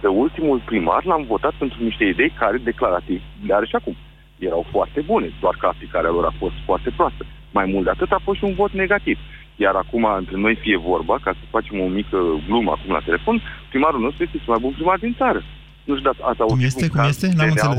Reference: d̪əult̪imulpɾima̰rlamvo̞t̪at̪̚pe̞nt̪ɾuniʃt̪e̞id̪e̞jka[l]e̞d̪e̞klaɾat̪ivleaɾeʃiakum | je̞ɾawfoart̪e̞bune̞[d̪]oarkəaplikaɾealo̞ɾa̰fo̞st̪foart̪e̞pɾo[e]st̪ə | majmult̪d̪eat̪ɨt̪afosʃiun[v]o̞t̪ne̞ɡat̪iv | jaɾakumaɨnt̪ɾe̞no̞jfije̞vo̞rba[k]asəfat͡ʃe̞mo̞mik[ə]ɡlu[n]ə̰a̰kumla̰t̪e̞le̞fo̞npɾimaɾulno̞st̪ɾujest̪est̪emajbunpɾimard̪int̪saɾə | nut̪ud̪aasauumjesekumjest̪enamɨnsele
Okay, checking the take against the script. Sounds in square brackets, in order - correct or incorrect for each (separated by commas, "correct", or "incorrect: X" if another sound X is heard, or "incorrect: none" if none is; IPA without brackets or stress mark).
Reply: incorrect: ɾ, correct, incorrect: a, correct, correct, correct, incorrect: m